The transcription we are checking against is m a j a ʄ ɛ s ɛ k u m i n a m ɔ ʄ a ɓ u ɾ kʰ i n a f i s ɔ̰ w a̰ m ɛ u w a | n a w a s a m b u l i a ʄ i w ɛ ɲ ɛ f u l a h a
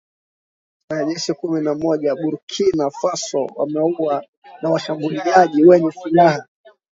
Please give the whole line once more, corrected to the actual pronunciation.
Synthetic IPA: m a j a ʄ ɛ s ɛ k u m i n a m ɔ ʄ a ɓ u ɾ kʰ i n a f a s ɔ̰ w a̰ m ɛ u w a | n a w a ʃ a m b u l i a ʄ i w ɛ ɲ ɛ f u l a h a